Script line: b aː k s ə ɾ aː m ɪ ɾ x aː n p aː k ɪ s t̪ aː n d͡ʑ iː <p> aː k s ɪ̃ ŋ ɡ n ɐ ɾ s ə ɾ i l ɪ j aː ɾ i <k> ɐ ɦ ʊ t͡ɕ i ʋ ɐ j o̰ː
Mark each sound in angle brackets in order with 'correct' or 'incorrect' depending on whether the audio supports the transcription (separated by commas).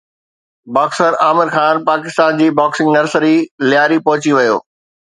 incorrect, incorrect